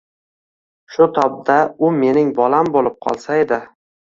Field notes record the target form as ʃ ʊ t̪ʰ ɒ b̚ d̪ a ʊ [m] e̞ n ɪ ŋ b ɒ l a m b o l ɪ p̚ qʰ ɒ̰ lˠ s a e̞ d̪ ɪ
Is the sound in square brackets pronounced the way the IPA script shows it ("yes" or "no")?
yes